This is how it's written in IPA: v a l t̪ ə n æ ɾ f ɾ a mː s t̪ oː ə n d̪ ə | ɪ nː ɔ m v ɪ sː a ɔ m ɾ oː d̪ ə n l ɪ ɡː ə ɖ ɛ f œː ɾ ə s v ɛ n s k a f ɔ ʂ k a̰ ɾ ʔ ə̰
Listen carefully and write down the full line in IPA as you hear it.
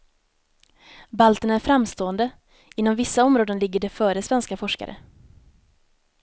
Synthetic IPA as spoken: b a l t̪ ə n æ ɾ f ɾ a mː s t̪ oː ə n d̪ ə | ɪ nː ɔ m v ɪ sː a ɔ m ɾ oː d̪ ə n l ɪ ɡː ə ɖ ɛ f œː ɾ ə s v ɛ n s k a f ɔ ʂ k a̰ ɾ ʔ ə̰